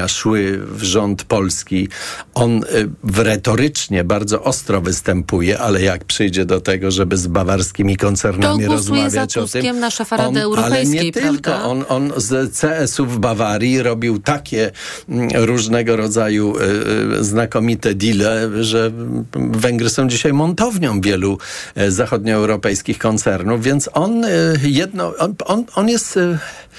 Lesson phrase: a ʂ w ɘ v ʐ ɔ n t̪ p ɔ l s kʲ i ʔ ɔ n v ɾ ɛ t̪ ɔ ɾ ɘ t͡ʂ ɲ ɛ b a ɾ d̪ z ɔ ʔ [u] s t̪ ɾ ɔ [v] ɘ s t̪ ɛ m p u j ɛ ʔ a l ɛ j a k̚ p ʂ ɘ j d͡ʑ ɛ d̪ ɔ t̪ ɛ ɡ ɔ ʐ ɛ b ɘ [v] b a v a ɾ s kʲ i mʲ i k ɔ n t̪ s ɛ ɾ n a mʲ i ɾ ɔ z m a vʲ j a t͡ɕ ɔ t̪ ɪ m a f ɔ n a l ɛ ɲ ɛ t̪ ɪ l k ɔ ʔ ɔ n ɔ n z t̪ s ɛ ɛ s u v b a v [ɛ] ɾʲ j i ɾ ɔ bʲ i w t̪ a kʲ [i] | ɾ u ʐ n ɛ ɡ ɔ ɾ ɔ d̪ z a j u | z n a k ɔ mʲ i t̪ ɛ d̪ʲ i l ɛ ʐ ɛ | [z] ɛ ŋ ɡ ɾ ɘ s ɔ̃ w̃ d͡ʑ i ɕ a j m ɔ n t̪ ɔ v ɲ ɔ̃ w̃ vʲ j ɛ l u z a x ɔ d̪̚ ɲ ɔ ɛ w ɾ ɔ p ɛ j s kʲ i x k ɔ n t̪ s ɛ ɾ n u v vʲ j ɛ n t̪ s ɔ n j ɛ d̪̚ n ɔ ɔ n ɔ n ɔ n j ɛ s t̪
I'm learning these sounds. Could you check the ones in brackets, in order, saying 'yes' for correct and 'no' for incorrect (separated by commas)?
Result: no, yes, no, no, no, no